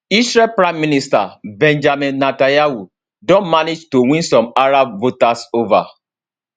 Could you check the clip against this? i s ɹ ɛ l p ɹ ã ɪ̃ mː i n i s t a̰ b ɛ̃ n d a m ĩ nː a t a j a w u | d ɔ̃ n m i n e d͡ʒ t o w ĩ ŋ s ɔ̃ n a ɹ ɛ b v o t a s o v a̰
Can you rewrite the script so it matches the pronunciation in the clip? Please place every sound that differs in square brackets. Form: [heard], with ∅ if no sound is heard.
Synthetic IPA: i s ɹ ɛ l p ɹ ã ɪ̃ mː i n i s t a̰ b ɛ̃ n [d͡ʒ] a m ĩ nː a t a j a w u | d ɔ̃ n m [a] n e d͡ʒ t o w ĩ [n] s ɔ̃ [m] a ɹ [a] b v o t a s o v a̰

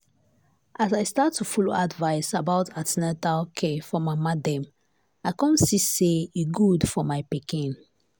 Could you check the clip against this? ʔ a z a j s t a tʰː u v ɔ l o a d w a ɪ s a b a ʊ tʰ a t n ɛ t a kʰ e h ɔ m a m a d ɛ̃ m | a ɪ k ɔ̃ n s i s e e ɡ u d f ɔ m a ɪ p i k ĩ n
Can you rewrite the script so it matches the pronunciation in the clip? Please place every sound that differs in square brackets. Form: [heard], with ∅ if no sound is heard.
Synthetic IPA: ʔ a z a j s t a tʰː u [f] ɔ l o a d [v] a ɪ s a b a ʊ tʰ a t n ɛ t a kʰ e [f] ɔ m a m a d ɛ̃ m | a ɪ k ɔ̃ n s i s e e ɡ u d f ɔ m a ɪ p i k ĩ n

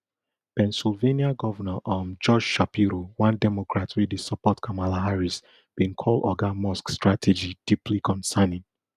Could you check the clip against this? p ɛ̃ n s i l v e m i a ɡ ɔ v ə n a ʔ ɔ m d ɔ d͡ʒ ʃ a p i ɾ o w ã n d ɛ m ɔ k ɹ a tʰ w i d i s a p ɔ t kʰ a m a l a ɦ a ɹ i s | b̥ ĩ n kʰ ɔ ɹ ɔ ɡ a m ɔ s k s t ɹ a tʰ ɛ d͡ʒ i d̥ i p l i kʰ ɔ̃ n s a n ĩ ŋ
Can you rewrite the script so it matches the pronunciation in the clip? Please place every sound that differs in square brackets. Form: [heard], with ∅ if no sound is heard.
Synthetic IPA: p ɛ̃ n s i l v e [n] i a ɡ ɔ v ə n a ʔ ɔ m [d͡ʒ] ɔ d͡ʒ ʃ a p i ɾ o w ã n d ɛ m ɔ k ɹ a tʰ w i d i s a p ɔ t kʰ a m a l a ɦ a ɹ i s | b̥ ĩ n kʰ ɔ [l] ɔ ɡ a m ɔ s k s t ɹ a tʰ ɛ d͡ʒ i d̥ i p l i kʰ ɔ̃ n s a n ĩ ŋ

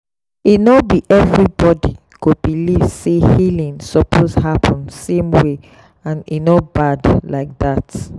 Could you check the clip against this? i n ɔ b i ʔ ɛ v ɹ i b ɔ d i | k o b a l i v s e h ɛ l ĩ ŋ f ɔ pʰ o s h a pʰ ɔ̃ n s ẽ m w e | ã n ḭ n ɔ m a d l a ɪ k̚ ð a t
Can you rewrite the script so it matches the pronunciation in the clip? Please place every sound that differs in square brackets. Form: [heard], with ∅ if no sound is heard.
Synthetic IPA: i n ɔ b i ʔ ɛ v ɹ i b ɔ d i | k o b [i] l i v s e h [i] l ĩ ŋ [s] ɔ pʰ o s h a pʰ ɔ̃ n s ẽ m w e | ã n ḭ n ɔ [b] a d l a ɪ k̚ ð a t

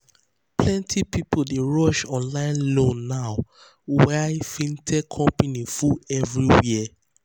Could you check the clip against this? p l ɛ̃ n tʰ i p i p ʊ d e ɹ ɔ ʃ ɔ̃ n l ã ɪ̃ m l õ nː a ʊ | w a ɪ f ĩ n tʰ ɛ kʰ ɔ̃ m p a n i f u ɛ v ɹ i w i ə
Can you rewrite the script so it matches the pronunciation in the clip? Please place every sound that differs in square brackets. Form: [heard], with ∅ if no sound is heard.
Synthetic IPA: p l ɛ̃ n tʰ i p i p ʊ d e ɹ ɔ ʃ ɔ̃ n l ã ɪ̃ [n] l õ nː a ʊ | w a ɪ f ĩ n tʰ ɛ kʰ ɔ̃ m p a n i f u ɛ v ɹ i w i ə

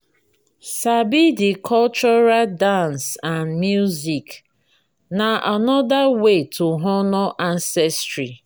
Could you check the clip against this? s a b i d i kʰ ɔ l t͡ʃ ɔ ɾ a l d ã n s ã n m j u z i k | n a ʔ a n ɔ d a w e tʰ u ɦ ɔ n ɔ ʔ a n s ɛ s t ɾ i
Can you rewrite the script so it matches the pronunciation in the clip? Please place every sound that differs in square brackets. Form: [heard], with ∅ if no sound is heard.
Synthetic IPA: s a b i d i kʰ ɔ l t͡ʃ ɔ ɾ a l d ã n s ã n m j u z i k | n a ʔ a n ɔ d a w e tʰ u ɦ ɔ n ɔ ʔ a n s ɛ s t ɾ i

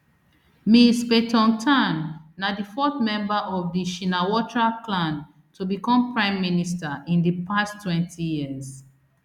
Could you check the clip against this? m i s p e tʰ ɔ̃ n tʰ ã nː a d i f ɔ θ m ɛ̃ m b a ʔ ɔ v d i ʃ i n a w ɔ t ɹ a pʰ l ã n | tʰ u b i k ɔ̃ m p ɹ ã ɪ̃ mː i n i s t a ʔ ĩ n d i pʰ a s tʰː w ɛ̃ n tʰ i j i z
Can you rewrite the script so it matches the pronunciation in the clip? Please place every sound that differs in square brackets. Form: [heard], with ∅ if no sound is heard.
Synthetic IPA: m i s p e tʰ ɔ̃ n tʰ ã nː a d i f ɔ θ m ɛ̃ m b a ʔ ɔ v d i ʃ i n a w ɔ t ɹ a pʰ l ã n | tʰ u b i k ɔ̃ m p ɹ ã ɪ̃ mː i n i s t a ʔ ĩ n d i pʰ a s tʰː w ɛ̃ n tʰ i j i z

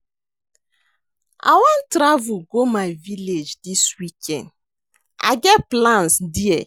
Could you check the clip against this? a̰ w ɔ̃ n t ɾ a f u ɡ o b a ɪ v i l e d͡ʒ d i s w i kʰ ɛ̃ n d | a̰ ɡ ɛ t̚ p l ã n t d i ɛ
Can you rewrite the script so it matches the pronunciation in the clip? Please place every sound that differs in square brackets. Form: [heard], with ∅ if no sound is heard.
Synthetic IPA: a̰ w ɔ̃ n t ɾ a [v] u ɡ o [m] a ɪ v i l e d͡ʒ d i s w i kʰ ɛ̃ n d | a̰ ɡ ɛ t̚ p l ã n [s] d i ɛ

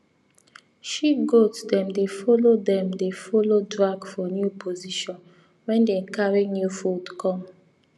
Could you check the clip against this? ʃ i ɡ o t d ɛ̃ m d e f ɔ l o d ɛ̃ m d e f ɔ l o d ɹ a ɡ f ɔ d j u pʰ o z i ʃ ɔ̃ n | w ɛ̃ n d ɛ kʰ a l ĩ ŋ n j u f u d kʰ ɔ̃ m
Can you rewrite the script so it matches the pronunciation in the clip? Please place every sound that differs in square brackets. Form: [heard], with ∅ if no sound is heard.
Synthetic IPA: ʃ i ɡ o t d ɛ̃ m d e f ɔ l o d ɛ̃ m d e f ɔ l o d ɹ a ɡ f ɔ [n] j u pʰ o z i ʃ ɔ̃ n | w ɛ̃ n d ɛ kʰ a [ɹ] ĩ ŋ n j u f u d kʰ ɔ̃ m

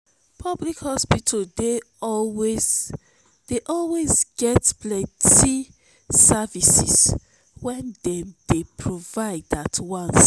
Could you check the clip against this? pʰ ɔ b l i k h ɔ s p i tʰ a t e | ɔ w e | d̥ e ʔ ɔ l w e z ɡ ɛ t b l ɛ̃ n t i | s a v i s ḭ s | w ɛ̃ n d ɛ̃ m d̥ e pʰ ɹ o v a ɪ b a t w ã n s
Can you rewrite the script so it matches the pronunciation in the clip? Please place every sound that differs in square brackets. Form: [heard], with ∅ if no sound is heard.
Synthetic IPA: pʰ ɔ b l i k h ɔ s p i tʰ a [d] e | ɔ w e | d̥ e ʔ ɔ l w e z ɡ ɛ t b l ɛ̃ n t i | s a v i s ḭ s | w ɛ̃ n d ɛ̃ m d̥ e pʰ ɹ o v a ɪ [d] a t w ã n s

